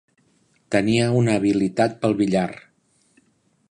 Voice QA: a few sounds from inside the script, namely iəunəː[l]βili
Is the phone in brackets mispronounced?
yes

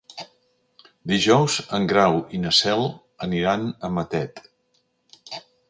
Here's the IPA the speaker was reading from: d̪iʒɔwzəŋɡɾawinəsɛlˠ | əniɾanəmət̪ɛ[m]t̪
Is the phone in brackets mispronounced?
yes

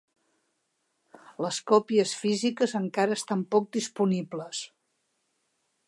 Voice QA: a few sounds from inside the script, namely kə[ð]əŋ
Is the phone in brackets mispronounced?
yes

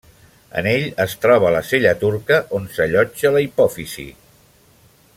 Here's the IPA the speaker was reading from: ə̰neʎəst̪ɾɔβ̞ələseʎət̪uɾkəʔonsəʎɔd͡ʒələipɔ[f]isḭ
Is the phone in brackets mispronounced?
no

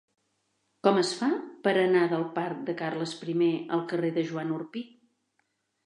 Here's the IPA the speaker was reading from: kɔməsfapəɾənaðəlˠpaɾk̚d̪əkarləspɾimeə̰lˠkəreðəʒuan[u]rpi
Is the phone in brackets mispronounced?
no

